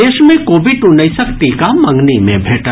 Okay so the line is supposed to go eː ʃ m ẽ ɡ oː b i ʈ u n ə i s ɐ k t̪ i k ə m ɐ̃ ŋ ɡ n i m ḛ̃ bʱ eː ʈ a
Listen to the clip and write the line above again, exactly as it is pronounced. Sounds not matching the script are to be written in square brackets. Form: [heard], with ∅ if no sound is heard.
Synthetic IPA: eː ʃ m ẽ [k] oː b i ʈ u n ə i s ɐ k t̪ i k [a] m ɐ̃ ŋ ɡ n i m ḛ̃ bʱ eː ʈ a